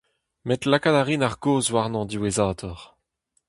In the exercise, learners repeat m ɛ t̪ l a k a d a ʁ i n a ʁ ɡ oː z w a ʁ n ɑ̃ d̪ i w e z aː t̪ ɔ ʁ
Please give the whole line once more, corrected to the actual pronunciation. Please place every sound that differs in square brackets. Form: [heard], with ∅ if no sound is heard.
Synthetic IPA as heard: m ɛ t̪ l a k a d a ʁ i n a ʁ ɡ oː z w a ʁ n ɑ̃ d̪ i w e z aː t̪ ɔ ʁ